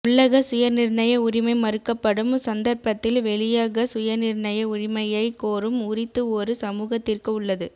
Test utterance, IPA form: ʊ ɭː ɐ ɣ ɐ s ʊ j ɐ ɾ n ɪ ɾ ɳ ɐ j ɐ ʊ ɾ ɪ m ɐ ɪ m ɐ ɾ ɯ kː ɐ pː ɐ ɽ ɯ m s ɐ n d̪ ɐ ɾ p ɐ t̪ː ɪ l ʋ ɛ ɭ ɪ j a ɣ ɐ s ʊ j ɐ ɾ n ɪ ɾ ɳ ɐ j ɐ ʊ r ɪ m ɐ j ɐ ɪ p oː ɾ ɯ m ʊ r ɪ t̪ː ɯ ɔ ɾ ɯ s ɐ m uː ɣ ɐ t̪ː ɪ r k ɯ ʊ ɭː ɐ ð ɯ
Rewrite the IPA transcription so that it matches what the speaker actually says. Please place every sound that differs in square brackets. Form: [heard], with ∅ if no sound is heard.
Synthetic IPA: ʊ ɭː ɐ ɣ ɐ s ʊ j ɐ ɾ n ɪ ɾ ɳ ɐ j ɐ ʊ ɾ ɪ m ɐ ɪ m ɐ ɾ ɯ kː ɐ pː ɐ ɽ ɯ m s ɐ n d̪ ɐ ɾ p ɐ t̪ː ɪ l ʋ ɛ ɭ ɪ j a ɣ ɐ s ʊ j ɐ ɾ n ɪ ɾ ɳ ɐ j ɐ ʊ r ɪ m ɐ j ɐ ɪ [k] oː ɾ ɯ m ʊ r ɪ t̪ː ɯ ɔ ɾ ɯ s ɐ m uː ɣ ɐ t̪ː ɪ r k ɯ ʊ ɭː ɐ ð ɯ